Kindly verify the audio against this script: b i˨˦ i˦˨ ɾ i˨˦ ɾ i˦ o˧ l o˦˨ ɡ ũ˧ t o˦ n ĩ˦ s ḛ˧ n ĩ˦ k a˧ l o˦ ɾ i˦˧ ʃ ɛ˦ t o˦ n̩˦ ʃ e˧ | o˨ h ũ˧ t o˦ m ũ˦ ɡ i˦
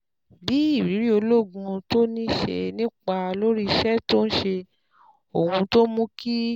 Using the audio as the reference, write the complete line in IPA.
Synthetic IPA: b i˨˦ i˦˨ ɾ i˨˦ ɾ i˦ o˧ l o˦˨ ɡ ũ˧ t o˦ n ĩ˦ ʃ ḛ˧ n ĩ˦ k͡p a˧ l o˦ ɾ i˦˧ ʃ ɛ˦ t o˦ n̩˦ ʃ e˧ | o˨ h ũ˧ t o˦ m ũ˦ k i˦